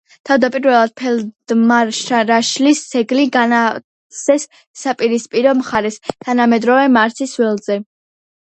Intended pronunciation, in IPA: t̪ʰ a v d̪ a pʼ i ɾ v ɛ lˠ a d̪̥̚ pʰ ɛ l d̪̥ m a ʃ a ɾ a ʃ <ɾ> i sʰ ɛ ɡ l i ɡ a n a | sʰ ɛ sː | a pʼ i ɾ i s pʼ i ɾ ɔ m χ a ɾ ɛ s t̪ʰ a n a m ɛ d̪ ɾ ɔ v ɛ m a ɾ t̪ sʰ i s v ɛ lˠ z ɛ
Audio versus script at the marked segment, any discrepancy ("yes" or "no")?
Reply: yes